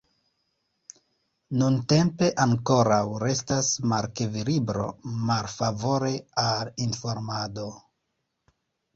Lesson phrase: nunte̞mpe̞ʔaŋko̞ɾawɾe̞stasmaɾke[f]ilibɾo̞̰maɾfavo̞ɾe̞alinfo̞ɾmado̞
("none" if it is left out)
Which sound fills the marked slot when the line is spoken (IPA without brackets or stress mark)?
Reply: v